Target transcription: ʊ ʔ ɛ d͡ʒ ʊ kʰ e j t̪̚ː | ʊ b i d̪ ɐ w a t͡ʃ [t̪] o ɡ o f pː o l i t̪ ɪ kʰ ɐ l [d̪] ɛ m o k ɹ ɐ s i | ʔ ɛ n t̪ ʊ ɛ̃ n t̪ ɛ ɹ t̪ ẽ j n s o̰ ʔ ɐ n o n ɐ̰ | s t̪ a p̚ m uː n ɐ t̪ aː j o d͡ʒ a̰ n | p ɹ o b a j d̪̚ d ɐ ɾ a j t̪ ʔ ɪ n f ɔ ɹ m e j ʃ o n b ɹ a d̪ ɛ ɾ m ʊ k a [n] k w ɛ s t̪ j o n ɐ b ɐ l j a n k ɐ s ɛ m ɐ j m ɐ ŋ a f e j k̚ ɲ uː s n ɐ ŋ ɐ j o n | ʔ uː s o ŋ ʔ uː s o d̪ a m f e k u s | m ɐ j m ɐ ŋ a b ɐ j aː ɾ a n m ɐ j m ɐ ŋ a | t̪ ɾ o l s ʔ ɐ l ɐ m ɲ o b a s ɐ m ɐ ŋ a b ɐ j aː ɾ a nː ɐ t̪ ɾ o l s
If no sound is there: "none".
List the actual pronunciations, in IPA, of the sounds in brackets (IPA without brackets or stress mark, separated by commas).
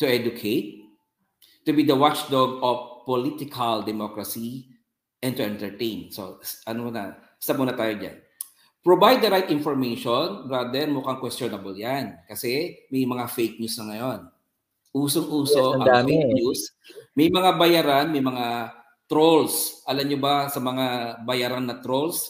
d̪, d̪, ŋ